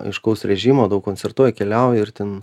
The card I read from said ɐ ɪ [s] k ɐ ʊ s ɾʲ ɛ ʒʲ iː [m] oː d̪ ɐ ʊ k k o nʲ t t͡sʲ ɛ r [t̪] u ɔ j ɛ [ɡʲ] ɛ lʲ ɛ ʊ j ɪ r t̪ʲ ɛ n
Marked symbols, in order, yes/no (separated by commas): no, yes, yes, no